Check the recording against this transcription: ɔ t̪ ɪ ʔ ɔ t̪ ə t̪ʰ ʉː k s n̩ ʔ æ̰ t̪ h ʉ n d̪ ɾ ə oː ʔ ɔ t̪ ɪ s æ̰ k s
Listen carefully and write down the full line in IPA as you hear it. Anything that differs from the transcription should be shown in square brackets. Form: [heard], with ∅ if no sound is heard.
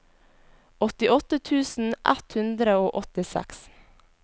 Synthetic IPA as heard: ɔ t̪ ɪ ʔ ɔ t̪ ə t̪ʰ ʉː [∅] s n̩ ʔ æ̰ t̪ h ʉ n d̪ ɾ ə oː ʔ ɔ t̪ ɪ s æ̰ k s